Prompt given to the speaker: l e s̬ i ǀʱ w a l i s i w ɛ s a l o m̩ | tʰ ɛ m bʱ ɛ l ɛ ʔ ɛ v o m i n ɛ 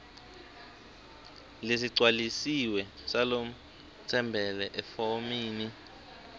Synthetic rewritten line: l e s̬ i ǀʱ w a l i s i w ɛ s a l o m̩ | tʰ ɛ m bʱ ɛ l ɛ ʔ ɛ f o m iː n i